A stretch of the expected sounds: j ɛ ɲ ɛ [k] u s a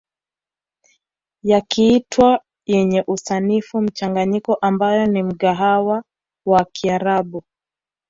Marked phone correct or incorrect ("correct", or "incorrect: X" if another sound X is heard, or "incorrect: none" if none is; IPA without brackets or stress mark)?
incorrect: ʔ